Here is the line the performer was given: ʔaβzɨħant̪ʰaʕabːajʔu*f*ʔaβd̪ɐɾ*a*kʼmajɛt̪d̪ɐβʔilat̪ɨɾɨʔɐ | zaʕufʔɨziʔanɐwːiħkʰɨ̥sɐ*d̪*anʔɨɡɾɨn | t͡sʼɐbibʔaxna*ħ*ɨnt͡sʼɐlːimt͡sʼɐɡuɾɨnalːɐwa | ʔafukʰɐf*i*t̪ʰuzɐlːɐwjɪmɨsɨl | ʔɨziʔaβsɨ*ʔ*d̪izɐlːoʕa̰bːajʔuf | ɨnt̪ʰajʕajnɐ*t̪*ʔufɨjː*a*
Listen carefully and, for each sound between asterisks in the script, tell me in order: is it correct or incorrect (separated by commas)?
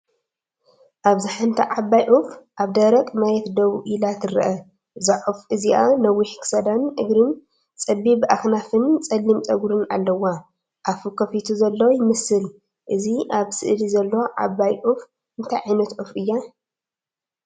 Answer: correct, incorrect, correct, incorrect, correct, correct, correct, correct